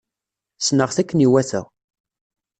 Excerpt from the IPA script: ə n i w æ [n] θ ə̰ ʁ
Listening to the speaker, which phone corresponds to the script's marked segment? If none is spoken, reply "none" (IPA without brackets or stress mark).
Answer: none